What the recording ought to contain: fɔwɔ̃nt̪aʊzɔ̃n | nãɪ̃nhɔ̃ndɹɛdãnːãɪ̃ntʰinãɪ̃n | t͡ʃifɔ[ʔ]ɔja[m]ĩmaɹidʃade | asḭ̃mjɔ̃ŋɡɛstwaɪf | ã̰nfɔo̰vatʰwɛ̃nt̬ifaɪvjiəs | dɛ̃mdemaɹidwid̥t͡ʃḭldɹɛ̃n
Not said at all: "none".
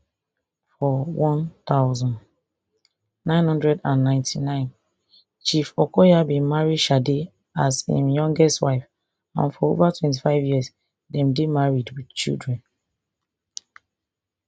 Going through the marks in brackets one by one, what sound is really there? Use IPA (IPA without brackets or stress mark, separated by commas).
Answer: k, b